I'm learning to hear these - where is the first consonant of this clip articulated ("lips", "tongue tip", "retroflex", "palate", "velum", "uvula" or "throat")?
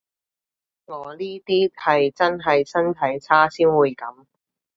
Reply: velum